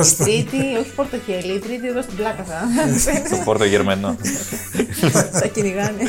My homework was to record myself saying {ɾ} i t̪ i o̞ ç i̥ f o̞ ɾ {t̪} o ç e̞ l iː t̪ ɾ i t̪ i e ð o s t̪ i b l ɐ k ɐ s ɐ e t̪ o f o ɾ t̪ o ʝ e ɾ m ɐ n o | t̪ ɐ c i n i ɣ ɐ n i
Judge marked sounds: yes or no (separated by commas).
yes, yes